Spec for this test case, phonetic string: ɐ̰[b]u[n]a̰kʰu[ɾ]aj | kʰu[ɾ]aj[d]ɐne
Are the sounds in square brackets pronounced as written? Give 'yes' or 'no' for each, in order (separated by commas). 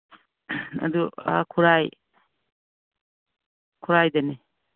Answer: no, no, yes, yes, yes